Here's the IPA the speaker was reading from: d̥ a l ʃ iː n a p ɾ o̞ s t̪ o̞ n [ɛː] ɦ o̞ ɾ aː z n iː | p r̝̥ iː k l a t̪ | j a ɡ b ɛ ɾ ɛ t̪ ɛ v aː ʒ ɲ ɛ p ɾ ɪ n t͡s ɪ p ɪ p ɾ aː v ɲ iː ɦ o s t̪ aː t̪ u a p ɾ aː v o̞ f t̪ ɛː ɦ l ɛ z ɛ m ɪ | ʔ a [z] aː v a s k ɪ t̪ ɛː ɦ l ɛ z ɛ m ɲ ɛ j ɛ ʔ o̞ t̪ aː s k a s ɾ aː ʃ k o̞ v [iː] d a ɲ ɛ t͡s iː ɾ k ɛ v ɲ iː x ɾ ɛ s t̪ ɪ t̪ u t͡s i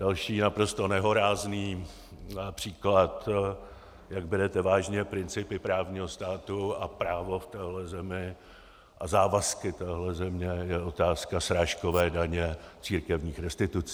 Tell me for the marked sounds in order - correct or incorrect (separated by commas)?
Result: incorrect, correct, incorrect